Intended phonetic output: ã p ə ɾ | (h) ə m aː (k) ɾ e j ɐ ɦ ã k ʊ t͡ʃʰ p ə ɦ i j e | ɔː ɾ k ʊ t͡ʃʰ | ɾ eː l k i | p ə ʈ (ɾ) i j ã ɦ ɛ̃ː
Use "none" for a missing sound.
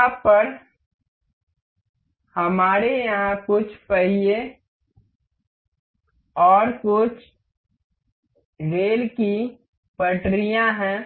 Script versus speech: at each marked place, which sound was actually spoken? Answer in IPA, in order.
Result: h, none, ɾ

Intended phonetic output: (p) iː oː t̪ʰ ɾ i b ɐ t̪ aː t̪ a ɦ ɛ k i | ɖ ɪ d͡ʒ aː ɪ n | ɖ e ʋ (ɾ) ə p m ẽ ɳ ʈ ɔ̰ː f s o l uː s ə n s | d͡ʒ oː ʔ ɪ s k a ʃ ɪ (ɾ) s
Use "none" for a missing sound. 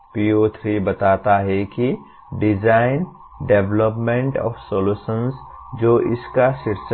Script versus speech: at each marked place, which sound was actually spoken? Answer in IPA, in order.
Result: p, l, ɾ

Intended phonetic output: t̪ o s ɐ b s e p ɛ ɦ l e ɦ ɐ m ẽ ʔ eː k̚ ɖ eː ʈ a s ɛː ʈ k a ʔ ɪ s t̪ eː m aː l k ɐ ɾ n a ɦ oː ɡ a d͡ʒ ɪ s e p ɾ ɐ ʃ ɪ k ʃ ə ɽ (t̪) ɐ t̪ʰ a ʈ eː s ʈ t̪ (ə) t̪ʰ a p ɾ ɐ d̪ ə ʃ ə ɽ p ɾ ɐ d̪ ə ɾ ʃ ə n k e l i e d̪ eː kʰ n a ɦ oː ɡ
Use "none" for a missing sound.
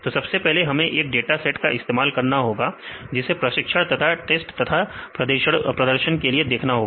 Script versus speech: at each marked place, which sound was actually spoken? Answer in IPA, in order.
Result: t̪, ɐ

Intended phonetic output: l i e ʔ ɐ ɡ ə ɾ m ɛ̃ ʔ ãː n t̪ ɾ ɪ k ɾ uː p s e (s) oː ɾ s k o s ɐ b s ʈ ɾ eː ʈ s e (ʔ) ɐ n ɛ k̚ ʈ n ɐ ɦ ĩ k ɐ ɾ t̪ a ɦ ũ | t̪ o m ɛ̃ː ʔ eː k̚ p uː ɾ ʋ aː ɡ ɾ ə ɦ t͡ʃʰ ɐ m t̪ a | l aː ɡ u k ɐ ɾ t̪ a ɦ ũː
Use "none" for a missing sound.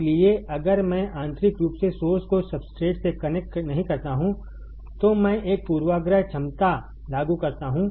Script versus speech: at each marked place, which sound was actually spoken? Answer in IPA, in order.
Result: s, k

